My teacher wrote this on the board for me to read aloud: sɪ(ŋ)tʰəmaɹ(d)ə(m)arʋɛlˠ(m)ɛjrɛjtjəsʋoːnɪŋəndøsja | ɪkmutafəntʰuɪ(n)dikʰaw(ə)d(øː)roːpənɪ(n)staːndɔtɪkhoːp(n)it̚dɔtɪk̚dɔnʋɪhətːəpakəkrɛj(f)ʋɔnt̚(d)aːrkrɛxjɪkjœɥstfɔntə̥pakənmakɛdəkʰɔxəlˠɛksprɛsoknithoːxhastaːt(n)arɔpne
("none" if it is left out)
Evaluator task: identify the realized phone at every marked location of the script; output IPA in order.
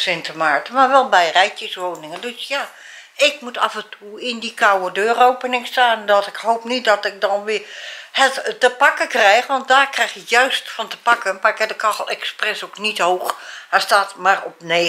n, t, m, b, n, ə, øː, ŋ, n, x, d, m

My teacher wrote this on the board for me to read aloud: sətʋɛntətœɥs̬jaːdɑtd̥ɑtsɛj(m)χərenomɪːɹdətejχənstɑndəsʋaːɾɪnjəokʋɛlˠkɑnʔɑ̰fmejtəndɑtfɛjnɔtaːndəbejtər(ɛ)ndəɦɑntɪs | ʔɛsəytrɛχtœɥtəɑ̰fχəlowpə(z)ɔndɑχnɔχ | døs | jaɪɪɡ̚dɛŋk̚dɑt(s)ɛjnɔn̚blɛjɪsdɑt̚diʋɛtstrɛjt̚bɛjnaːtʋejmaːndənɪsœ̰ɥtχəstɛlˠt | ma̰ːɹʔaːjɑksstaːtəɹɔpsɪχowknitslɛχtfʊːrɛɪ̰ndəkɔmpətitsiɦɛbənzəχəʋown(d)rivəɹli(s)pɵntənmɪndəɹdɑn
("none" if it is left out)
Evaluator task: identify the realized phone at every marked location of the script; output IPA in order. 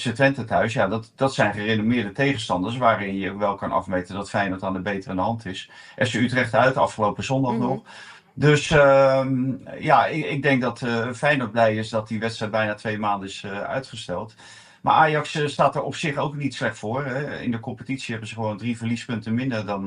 n, a, z, f, d, s

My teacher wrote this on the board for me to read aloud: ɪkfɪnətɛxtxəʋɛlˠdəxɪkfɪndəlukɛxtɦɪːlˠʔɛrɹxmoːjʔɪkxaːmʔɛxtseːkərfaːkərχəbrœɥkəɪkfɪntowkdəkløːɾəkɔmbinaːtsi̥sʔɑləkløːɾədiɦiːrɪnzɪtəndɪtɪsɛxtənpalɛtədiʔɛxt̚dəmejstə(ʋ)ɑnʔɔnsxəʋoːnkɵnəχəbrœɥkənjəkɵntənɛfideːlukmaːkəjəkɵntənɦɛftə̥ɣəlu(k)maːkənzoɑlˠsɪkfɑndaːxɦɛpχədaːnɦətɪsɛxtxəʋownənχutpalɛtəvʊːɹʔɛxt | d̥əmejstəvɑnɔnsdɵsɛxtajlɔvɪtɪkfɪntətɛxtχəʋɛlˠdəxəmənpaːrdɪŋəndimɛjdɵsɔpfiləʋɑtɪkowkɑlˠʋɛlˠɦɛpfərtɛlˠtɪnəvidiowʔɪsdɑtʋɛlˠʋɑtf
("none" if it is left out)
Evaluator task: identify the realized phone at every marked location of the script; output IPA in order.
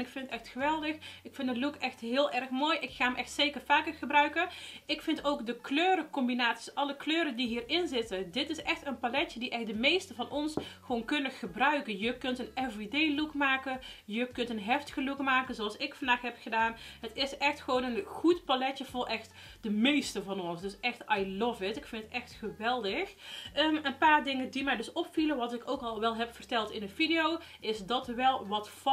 v, k

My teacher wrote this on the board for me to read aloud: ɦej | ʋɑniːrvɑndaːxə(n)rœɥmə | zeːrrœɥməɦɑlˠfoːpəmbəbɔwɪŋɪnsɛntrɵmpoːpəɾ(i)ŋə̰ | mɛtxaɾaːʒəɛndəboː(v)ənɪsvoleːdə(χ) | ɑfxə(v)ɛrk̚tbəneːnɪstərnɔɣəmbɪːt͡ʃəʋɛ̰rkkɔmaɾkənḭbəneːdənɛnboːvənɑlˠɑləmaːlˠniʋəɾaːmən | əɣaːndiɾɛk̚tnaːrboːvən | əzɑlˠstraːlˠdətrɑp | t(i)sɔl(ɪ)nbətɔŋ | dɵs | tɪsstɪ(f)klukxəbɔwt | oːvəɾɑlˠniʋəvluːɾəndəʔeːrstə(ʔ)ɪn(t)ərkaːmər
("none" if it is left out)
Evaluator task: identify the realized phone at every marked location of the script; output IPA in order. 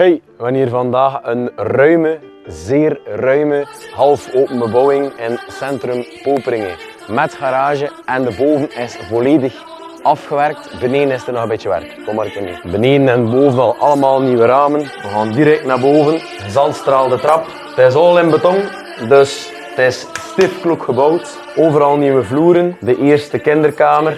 n, ɪ, v, x, ʋ, ɪ, ɪ, f, k, d

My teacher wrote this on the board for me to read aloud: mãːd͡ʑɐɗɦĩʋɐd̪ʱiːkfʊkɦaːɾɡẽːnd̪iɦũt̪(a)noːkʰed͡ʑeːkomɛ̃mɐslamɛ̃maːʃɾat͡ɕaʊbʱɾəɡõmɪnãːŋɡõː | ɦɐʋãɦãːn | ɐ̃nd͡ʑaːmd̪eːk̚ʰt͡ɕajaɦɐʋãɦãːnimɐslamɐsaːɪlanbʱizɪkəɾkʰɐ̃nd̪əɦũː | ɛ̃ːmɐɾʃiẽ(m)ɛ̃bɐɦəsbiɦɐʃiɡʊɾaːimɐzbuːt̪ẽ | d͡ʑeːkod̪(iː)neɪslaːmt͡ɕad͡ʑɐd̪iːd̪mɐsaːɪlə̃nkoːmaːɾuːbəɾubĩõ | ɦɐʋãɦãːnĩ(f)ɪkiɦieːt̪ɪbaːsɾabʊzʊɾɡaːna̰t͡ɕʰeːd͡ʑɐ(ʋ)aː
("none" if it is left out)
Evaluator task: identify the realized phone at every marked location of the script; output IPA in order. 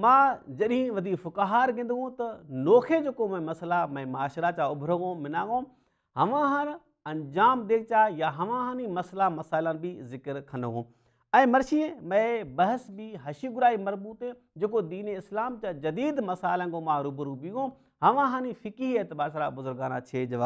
ɐ, m, iː, f, ʋ

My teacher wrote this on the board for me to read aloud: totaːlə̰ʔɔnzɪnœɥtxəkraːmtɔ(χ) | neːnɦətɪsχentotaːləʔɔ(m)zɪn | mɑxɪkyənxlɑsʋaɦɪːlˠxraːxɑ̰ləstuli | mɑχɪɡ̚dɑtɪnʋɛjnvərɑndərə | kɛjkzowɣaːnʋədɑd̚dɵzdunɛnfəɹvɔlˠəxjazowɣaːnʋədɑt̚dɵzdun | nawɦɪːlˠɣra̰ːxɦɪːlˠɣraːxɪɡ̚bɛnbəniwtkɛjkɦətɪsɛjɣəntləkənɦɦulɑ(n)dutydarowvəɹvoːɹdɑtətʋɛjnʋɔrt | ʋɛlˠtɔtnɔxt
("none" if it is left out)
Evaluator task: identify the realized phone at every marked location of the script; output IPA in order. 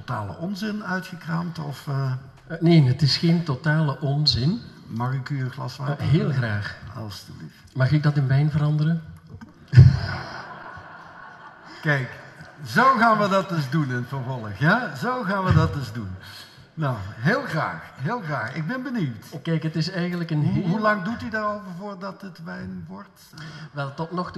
f, n, ŋ

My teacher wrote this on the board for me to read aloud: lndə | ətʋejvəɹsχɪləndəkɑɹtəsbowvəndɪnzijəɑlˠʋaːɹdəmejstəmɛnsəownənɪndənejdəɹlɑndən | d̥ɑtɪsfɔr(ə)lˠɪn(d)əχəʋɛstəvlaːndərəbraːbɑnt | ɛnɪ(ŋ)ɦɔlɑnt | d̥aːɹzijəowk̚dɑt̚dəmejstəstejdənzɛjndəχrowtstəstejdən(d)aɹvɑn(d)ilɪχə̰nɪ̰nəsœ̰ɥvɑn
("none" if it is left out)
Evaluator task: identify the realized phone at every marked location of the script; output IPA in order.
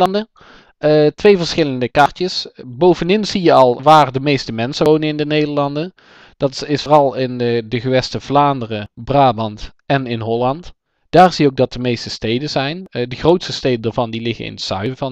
ɑ, d, n, d, d

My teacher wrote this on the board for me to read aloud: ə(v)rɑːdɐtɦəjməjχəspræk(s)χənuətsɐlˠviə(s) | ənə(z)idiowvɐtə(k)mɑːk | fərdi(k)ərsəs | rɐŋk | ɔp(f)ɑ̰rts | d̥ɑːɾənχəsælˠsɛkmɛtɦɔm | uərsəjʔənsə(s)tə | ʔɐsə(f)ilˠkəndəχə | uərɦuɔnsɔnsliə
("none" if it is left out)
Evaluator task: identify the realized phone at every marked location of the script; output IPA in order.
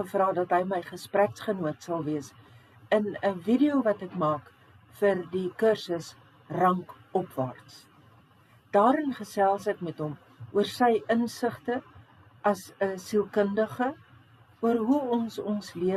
f, s, s, v, k, k, v, χ, s

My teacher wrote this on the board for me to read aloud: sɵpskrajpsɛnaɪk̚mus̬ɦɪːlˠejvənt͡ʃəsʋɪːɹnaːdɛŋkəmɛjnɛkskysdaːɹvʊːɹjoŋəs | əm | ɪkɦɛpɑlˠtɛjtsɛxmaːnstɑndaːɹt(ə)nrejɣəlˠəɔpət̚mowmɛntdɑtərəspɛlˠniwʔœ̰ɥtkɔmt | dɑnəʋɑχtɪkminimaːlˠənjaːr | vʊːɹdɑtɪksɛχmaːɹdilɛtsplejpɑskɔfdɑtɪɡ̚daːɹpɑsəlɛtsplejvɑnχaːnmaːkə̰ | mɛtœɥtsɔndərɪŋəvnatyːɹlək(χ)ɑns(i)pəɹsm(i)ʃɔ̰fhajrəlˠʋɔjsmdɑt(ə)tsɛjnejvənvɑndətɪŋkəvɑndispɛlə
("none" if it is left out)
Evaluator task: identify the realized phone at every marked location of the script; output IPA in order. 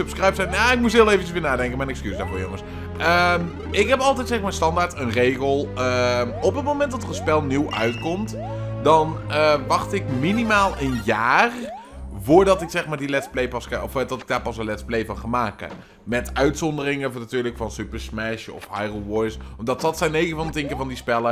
ə, f, y, ɛ, ɑ

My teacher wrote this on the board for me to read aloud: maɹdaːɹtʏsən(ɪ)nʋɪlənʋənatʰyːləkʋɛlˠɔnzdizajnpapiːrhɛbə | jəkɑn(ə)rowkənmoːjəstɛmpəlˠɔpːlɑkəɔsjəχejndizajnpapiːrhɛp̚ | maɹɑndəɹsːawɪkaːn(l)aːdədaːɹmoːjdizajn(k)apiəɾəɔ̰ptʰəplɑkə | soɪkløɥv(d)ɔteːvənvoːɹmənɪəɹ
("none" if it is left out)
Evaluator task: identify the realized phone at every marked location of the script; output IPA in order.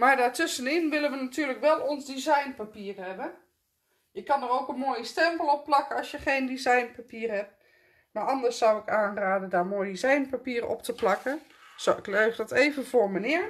ɪ, ə, r, p, d

